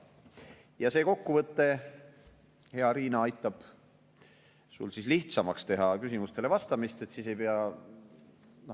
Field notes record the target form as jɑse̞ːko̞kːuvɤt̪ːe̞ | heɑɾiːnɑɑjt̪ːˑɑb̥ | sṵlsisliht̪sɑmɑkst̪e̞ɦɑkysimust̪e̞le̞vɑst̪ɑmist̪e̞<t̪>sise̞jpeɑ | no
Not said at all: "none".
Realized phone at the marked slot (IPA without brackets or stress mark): t̪